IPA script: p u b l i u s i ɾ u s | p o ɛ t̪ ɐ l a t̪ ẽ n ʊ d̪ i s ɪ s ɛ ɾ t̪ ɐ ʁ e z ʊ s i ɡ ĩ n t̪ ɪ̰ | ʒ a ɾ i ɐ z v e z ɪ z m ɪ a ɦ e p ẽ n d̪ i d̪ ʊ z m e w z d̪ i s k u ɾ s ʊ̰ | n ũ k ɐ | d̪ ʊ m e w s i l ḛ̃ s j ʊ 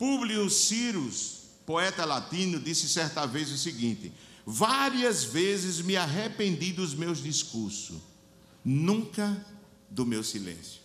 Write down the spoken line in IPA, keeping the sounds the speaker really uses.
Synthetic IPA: p u b l i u s i ɾ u s | p o ɛ t̪ ɐ l a t̪ ĩ n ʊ d̪ i s ɪ s ɛ ɾ t̪ ɐ v e z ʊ s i ɡ ĩ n t̪ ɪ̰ | v a ɾ i ɐ z v e z ɪ z m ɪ a ɦ e p ẽ n d̪ i d̪ ʊ z m e w z d̪ i s k u ɾ s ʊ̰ | n ũ k ɐ | d̪ ʊ m e w s i l ḛ̃ s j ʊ